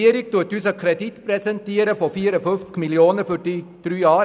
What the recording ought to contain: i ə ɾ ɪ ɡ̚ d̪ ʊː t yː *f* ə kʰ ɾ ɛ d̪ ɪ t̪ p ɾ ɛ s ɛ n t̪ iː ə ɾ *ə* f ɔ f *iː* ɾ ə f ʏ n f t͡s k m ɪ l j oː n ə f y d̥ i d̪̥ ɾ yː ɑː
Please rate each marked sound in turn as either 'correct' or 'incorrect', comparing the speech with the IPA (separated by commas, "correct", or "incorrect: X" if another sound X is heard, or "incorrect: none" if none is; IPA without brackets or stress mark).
incorrect: s, correct, correct